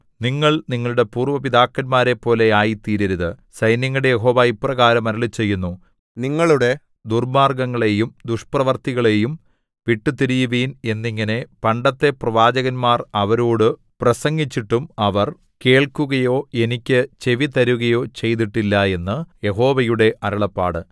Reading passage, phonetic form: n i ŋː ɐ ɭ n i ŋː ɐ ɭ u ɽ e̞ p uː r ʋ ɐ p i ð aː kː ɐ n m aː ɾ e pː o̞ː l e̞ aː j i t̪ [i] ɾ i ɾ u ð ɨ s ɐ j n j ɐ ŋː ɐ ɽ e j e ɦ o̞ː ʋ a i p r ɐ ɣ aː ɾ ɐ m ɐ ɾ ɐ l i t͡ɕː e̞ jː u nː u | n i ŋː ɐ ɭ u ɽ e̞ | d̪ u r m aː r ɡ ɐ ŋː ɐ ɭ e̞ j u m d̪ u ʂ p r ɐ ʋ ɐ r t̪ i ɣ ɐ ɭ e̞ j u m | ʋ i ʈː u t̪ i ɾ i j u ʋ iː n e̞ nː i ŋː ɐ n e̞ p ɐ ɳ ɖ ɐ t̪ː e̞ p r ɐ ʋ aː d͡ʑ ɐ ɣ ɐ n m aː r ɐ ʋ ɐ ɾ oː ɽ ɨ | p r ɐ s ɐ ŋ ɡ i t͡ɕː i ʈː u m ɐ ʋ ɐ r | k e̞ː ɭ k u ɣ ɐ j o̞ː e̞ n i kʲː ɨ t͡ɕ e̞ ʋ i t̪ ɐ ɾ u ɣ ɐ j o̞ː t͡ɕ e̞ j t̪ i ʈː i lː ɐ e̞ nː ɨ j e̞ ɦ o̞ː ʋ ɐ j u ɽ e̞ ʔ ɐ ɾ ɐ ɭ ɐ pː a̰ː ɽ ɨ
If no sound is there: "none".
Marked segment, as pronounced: iː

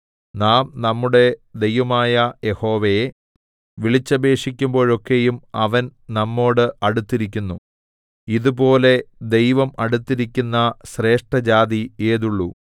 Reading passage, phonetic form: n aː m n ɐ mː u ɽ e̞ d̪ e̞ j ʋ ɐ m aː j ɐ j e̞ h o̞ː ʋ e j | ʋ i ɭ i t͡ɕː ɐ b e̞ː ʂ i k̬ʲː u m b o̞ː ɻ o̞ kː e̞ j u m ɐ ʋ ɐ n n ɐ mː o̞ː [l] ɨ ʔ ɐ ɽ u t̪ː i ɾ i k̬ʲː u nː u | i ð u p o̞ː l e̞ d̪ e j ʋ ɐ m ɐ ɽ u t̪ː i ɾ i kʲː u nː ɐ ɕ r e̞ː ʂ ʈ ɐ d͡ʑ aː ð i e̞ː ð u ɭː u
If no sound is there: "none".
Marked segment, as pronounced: ɽ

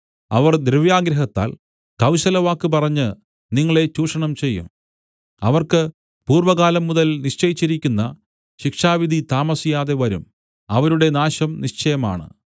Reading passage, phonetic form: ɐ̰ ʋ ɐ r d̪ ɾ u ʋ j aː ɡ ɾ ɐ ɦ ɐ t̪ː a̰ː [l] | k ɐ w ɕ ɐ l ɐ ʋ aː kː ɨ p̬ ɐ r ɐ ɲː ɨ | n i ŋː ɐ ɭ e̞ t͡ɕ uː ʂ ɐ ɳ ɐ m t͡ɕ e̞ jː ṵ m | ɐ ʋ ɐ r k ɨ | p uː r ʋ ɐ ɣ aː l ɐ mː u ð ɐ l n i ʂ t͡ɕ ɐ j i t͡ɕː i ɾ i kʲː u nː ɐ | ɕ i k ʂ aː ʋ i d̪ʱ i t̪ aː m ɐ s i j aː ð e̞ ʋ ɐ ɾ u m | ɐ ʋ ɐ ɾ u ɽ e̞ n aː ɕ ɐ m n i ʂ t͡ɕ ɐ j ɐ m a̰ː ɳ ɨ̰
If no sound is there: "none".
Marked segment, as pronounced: l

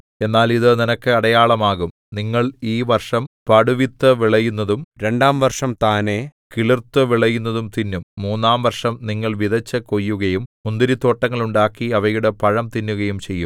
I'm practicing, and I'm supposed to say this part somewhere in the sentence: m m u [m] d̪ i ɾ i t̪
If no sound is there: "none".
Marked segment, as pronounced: n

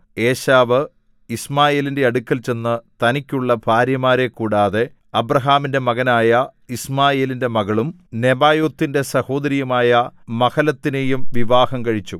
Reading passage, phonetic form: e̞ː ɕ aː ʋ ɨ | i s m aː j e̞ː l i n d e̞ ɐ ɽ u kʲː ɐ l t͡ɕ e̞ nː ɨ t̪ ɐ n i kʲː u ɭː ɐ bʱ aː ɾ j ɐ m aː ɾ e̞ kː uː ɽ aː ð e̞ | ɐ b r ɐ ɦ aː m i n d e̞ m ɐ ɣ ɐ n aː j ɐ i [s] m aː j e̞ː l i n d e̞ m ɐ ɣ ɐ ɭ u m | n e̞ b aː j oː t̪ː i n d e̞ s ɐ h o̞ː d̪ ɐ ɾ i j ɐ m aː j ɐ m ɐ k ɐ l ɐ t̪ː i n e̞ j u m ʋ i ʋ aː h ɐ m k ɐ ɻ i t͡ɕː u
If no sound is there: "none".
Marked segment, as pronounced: s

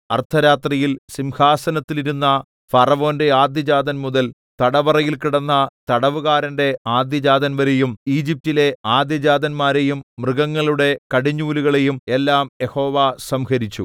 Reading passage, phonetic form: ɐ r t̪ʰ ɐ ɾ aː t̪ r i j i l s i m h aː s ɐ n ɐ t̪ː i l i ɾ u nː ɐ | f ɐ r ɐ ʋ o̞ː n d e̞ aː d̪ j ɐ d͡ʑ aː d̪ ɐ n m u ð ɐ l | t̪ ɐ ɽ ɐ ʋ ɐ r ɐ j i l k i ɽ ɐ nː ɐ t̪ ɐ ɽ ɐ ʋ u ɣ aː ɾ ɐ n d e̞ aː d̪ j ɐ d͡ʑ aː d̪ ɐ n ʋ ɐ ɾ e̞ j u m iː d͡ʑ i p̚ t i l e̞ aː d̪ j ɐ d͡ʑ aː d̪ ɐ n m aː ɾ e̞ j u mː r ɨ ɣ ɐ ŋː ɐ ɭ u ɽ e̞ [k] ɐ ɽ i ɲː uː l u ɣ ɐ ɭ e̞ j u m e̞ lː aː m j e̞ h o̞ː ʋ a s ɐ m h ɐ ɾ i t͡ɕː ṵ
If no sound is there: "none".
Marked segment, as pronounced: k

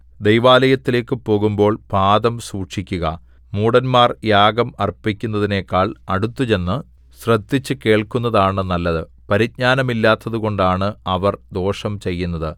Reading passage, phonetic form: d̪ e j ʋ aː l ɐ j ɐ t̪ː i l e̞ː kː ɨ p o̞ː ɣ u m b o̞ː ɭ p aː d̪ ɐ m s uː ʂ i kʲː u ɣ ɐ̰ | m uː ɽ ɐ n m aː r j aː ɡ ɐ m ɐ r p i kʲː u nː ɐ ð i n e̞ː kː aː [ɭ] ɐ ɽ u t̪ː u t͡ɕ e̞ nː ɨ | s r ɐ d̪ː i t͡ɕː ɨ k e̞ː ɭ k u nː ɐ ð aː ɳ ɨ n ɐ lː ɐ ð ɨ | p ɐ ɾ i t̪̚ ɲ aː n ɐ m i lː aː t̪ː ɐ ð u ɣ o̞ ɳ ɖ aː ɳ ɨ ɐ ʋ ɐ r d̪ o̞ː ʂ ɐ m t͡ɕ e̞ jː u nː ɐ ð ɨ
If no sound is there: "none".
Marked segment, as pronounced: ɭ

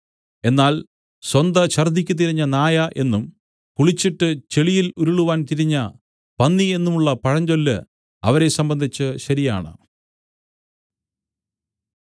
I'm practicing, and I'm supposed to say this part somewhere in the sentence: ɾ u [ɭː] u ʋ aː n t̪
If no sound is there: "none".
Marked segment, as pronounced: ɭ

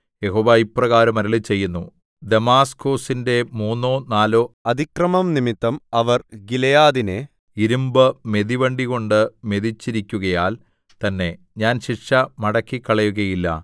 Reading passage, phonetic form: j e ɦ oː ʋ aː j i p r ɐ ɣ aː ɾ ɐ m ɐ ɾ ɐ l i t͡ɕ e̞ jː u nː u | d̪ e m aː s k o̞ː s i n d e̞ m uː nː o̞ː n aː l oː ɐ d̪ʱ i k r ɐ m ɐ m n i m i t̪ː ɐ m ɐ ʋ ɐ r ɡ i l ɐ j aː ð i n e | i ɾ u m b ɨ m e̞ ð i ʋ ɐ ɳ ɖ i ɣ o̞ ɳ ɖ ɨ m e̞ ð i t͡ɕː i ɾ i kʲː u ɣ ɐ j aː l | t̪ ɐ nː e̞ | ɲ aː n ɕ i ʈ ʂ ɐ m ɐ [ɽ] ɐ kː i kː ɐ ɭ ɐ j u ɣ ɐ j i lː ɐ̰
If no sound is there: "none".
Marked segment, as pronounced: ɽ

